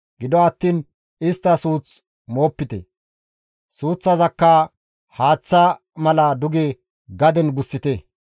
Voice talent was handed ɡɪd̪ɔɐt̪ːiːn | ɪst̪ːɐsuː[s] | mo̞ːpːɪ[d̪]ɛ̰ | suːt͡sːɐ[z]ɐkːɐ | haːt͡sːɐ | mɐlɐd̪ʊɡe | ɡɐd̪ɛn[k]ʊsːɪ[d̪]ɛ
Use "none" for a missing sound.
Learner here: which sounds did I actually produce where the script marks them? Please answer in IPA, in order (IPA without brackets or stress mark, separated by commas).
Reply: t͡s, t̪, z, ɡ, t̪